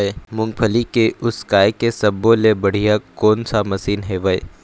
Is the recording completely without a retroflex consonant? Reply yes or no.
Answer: no